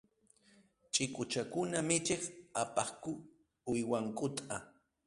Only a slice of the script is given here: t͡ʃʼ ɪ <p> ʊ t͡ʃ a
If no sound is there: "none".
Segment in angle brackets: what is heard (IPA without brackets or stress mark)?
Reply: k